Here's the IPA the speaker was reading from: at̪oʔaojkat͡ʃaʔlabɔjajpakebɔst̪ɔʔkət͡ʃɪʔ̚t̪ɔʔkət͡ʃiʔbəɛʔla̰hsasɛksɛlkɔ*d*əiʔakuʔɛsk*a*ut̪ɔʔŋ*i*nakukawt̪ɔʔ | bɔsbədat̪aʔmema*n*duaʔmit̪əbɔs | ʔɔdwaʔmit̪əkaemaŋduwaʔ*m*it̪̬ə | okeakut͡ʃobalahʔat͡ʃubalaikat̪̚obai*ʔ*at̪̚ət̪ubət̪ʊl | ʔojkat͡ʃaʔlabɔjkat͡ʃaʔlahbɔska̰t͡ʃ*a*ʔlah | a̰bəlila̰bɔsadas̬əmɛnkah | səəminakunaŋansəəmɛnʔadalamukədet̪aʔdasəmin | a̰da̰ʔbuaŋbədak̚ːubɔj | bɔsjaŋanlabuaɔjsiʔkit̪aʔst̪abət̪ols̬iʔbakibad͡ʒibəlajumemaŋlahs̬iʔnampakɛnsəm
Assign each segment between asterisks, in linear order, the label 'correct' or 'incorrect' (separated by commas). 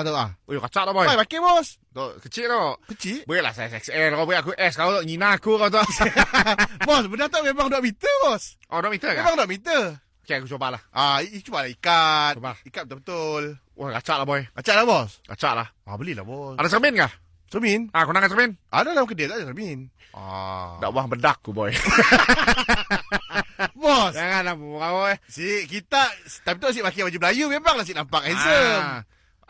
incorrect, correct, correct, incorrect, correct, incorrect, correct